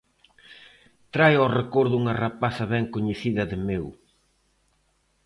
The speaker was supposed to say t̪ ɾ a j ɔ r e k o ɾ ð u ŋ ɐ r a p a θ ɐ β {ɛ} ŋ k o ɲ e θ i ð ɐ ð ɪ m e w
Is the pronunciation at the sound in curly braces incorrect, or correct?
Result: correct